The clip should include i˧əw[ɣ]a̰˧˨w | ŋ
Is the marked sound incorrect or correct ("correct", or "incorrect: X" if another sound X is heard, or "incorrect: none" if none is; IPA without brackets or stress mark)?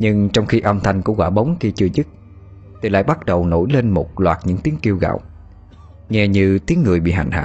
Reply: correct